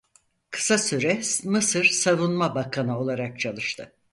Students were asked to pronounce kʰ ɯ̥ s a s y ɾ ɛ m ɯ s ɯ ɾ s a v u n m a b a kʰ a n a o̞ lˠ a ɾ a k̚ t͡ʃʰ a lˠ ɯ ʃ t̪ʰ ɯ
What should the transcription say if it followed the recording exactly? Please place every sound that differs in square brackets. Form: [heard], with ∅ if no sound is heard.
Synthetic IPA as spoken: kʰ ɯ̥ s a s y ɾ ɛ m ɯ s ɯ ɾ s a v u n m a b a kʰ a n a o̞ lˠ a ɾ a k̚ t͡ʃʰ a lˠ ɯ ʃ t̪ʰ ɯ